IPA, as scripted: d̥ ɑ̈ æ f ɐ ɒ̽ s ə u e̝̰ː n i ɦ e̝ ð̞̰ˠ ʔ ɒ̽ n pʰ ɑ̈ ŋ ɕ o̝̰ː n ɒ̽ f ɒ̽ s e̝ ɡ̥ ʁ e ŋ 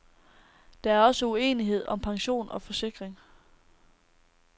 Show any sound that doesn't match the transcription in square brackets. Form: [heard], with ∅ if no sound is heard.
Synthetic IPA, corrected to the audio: d̥ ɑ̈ æ [∅] ɐ ɒ̽ s ə u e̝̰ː n i ɦ e̝ ð̞̰ˠ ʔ ɒ̽ [m] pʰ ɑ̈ ŋ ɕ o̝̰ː n ɒ̽ f ɒ̽ s e̝ ɡ̥ ʁ e ŋ